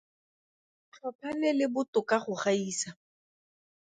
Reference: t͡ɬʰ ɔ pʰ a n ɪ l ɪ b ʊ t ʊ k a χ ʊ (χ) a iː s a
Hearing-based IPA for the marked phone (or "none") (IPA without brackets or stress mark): χ